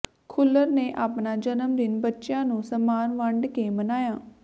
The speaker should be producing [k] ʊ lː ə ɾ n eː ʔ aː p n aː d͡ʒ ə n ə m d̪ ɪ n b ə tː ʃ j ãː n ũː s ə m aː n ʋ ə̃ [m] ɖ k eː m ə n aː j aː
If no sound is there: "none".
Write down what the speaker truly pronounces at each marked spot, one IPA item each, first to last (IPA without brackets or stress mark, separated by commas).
kʰ, ɳ